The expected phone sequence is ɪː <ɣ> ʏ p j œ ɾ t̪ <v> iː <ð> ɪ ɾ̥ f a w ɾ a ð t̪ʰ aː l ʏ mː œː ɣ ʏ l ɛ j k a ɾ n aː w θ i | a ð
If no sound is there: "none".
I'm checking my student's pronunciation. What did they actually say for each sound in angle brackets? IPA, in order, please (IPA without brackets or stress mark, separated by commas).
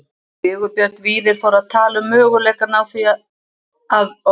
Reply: ɣ, v, ð